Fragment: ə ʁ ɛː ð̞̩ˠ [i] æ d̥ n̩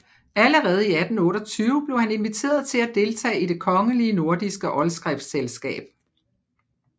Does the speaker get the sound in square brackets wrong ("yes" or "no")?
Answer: no